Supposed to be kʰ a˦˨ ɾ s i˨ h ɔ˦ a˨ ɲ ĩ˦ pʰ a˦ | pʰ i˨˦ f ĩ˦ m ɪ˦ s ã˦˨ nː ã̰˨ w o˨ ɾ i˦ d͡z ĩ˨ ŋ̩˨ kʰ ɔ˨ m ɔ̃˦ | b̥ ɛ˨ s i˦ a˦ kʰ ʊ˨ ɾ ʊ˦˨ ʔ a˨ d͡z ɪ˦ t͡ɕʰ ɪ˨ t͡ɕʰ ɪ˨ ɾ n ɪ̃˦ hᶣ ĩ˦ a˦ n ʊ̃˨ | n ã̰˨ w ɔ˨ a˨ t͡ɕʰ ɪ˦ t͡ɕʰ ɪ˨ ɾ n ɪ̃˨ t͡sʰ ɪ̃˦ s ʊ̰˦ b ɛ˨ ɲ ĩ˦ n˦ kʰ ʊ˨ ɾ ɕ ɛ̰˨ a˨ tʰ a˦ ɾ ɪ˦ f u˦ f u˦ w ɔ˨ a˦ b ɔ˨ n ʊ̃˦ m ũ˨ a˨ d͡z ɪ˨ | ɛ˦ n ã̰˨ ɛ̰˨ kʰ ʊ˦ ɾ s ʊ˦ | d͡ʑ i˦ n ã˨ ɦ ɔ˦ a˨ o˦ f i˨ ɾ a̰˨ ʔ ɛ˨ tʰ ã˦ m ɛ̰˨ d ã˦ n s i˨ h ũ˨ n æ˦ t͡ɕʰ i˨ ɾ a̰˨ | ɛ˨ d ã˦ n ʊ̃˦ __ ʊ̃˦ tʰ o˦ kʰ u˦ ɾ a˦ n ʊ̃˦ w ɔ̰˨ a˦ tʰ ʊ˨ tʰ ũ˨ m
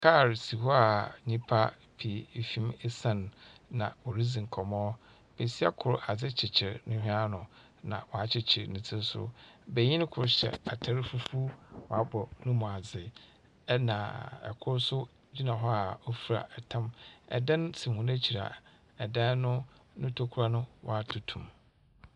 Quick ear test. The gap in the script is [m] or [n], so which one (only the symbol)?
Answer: n